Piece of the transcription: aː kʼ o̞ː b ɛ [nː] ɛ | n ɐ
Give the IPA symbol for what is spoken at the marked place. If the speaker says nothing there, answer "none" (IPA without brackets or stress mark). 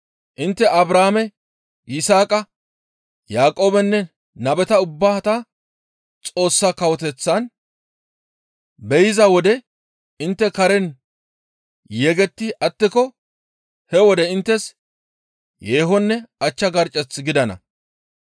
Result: nː